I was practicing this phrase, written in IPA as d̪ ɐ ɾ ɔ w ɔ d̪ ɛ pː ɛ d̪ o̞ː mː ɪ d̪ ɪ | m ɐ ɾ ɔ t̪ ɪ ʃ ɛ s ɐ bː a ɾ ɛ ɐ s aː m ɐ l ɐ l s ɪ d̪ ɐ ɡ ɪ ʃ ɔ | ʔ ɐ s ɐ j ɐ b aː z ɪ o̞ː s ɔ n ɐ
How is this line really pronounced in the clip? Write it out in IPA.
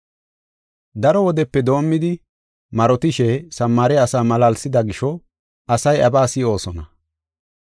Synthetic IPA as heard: d̪ ɐ ɾ ɔ w ɔ d̪ ɛ pː ɛ d̪ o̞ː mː ɪ d̪ ɪ | m ɐ ɾ ɔ t̪ ɪ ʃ ɛ s ɐ mː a ɾ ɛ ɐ s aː m ɐ l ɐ l s ɪ d̪ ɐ ɡ ɪ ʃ ɔ | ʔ ɐ s ɐ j ɐ b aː s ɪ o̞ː s ɔ n ɐ

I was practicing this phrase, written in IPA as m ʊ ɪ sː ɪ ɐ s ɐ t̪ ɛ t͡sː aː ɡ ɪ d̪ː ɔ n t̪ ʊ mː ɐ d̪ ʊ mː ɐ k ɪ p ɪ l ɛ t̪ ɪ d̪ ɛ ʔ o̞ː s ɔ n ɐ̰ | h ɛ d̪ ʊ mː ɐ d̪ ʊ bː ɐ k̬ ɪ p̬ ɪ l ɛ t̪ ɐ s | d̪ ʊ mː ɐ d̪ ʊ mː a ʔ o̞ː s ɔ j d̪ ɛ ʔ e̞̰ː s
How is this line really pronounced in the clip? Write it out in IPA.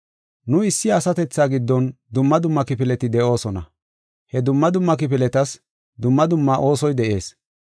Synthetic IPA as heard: n ʊ ɪ sː ɪ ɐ s ɐ t̪ ɛ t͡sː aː ɡ ɪ d̪ː ɔ n d̪ ʊ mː ɐ d̪ ʊ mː ɐ k ɪ p ɪ l ɛ t̪ ɪ d̪ ɛ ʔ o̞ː s ɔ n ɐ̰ | h ɛ d̪ ʊ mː ɐ d̪ ʊ mː ɐ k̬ ɪ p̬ ɪ l ɛ t̪ ɐ s | d̪ ʊ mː ɐ d̪ ʊ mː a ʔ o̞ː s ɔ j d̪ ɛ ʔ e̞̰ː s

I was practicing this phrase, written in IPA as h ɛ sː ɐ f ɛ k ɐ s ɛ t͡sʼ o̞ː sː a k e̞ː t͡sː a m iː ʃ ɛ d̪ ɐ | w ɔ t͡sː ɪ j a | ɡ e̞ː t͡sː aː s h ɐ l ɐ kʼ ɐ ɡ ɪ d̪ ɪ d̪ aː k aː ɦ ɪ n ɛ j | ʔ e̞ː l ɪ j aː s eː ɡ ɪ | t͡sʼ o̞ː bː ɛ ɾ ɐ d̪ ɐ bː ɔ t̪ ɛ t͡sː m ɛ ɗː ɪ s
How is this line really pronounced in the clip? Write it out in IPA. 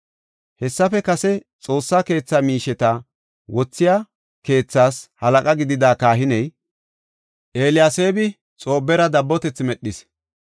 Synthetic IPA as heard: h ɛ sː ɐ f ɛ k ɐ s ɛ t͡sʼ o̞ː sː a k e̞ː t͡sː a m iː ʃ ɛ t̪ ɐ | w ɔ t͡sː ɪ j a | k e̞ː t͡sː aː s h ɐ l ɐ kʼ ɐ ɡ ɪ d̪ ɪ d̪ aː k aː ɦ ɪ n ɛ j | ʔ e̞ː l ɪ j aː s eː b ɪ | t͡sʼ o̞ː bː ɛ ɾ ɐ d̪ ɐ bː ɔ t̪ ɛ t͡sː m ɛ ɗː ɪ s

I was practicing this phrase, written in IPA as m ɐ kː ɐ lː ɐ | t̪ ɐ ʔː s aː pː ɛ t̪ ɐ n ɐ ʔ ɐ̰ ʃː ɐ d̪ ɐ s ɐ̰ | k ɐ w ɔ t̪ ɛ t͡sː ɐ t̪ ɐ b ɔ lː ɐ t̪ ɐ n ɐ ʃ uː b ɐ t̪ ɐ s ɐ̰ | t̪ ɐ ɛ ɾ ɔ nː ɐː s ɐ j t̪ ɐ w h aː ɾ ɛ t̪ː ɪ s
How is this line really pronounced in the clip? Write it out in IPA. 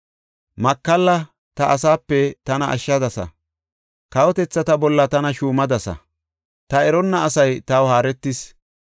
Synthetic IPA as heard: m ɐ kː ɐ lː ɐ | t̪ ɐ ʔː s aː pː ɛ t̪ ɐ n ɐ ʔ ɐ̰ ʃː ɐ d̪ ɐ s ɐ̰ | k ɐ w ɔ t̪ ɛ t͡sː ɐ t̪ ɐ b ɔ lː ɐ t̪ ɐ n ɐ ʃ uː m ɐ d̪ ɐ s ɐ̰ | t̪ ɐ ɛ ɾ ɔ nː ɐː s ɐ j t̪ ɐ w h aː ɾ ɛ t̪ː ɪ s

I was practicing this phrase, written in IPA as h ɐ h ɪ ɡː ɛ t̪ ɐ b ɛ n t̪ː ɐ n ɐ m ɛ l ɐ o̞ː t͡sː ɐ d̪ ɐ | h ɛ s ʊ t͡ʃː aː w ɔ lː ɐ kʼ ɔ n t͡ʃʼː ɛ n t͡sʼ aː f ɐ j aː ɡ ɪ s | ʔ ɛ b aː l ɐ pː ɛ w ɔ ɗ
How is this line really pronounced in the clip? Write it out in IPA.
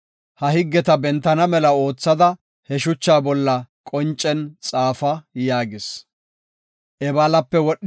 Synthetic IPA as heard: h ɐ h ɪ ɡː ɛ t̪ ɐ b ɛ n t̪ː ɐ n ɐ m ɛ l ɐ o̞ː t͡sː ɐ d̪ ɐ | h ɛ ʃ ʊ t͡ʃː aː b ɔ lː ɐ kʼ ɔ n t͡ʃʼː ɛ n t͡sʼ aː f ɐ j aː ɡ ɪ s | ʔ ɛ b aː l ɐ pː ɛ w ɔ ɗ

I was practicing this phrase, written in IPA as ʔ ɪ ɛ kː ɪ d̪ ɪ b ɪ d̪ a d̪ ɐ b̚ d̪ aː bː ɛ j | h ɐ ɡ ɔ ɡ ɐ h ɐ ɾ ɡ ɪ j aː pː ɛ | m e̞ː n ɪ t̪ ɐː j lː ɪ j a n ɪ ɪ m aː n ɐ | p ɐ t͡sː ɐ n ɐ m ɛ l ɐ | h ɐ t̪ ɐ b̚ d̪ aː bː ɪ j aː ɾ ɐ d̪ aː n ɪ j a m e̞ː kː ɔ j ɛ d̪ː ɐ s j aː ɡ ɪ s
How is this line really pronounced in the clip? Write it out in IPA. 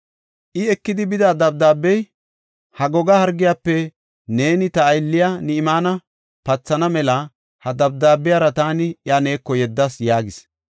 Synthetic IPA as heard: ʔ ɪ ɛ kː ɪ d̪ ɪ b ɪ d̪ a d̪ ɐ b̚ d̪ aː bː ɛ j | h ɐ ɡ ɔ ɡ ɐ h ɐ ɾ ɡ ɪ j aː pː ɛ | n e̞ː n ɪ t̪ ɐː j lː ɪ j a n ɪ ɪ m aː n ɐ | p ɐ t͡sː ɐ n ɐ m ɛ l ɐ | h ɐ d̪ ɐ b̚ d̪ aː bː ɪ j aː ɾ ɐ t̪ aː n ɪ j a n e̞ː kː ɔ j ɛ d̪ː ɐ s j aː ɡ ɪ s

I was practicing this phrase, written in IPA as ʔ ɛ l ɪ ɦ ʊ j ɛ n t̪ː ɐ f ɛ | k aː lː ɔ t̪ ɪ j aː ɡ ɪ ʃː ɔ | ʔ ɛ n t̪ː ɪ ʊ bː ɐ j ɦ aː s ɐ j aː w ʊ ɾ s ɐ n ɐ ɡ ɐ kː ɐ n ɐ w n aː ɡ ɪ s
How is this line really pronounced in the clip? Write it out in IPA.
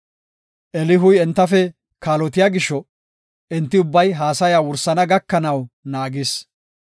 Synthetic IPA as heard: ʔ ɛ l ɪ ɦ ʊ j ɛ n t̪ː ɐ f ɛ | k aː l ɔ t̪ ɪ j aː ɡ ɪ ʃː ɔ | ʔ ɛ n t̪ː ɪ ʊ bː ɐ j ɦ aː s ɐ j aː w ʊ ɾ s ɐ n ɐ ɡ ɐ kː ɐ n ɐ w n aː ɡ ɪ s

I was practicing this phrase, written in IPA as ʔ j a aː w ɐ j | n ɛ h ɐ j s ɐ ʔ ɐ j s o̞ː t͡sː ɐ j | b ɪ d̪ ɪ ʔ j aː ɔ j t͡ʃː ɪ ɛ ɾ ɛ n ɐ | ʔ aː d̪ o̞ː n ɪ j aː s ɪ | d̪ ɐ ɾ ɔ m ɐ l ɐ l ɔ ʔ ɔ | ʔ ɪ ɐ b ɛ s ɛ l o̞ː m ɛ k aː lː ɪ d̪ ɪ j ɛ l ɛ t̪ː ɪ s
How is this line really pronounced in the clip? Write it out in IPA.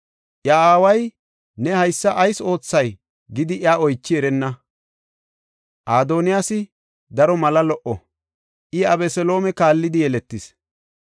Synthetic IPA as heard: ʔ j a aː w ɐ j | n ɛ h ɐ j sː ɐ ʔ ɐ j s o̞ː t͡sː ɐ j | ɡ ɪ d̪ ɪ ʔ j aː ɔ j t͡ʃː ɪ ɛ ɾ ɛ nː ɐ | ʔ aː d̪ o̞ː n ɪ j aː s ɪ | d̪ ɐ ɾ ɔ m ɐ l ɐ l ɔ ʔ ɔ | ʔ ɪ ɐ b ɛ s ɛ l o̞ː m ɛ k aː lː ɪ d̪ ɪ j ɛ l ɛ t̪ː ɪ s

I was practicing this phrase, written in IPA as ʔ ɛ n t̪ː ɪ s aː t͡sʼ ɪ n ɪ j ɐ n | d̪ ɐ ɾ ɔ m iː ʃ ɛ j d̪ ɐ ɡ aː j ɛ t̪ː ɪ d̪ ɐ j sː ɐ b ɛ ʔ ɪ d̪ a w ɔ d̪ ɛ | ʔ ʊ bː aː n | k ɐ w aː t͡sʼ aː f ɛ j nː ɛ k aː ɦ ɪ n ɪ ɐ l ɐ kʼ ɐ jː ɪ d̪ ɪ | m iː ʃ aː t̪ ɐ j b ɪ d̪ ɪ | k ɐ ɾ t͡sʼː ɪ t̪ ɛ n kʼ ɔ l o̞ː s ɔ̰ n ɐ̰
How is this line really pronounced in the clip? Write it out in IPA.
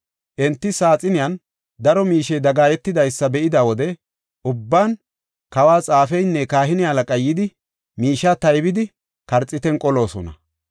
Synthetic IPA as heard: ʔ ɛ n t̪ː ɪ s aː t͡sʼ ɪ n ɪ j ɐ n | d̪ ɐ ɾ ɔ m iː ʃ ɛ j d̪ ɐ ɡ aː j ɛ t̪ː ɪ d̪ ɐ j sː ɐ b ɛ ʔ ɪ d̪ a w ɔ d̪ ɛ | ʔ ʊ bː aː n | k ɐ w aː t͡sʼ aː f ɛ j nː ɛ k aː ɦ ɪ n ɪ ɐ l ɐ kʼ ɐ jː ɪ d̪ ɪ | m iː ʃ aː t̪ ɐ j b ɪ d̪ ɪ | k ɐ ɾ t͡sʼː ɪ t̪ ɛ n kʼ ɔ l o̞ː s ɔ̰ n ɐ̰

